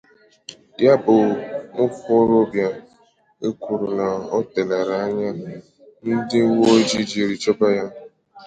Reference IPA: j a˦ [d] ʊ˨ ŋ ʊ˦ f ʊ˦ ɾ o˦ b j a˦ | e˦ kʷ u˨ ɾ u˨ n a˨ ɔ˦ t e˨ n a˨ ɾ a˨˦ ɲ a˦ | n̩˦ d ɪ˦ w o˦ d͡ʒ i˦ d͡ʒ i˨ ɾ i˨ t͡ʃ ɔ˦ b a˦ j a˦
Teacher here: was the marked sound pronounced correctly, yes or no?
no